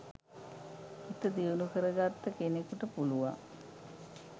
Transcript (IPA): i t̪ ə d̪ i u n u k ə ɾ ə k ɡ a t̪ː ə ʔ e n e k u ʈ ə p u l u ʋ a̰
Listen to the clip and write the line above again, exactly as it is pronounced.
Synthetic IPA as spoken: i t̪ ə d̪ i u n u k ə ɾ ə ɡ a t̪ː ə k e n e k u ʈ ə p u l u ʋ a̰